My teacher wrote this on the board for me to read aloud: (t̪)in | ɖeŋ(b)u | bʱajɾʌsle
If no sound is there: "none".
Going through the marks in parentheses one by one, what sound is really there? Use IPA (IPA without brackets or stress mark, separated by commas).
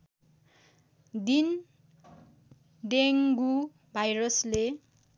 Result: d̪, ɡ